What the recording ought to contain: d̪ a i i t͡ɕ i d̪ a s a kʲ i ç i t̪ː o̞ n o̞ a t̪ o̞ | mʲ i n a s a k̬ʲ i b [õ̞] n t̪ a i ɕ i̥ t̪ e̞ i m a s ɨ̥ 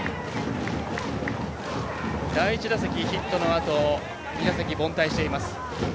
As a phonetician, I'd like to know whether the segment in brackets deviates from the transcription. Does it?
no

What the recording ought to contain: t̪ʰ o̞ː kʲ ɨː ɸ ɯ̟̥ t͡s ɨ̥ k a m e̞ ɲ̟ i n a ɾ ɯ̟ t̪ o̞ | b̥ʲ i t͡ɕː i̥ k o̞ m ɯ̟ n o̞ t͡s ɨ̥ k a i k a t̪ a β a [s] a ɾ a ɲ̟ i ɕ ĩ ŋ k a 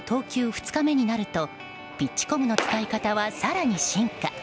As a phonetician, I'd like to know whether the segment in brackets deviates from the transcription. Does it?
no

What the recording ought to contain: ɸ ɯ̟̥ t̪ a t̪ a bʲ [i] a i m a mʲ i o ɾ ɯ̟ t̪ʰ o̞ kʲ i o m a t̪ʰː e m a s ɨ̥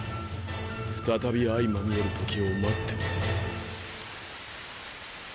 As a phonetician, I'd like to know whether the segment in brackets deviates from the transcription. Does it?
no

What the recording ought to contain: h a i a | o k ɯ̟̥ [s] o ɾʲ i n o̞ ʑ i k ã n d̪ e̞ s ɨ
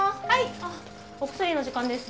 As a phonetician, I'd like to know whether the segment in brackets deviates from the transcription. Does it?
no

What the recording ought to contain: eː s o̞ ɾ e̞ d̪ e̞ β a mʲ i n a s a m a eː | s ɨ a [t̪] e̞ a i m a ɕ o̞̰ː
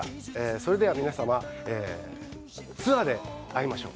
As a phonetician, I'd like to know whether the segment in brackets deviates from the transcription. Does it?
yes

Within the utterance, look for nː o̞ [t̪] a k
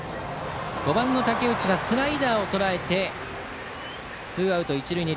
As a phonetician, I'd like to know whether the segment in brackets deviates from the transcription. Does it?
no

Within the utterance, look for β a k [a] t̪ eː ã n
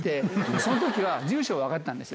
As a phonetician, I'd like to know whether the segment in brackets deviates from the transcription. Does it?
no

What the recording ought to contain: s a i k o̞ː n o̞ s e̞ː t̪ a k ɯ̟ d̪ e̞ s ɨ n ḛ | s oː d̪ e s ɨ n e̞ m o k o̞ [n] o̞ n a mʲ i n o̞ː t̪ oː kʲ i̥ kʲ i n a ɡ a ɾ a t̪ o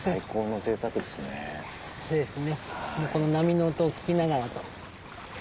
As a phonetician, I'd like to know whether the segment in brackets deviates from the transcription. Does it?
no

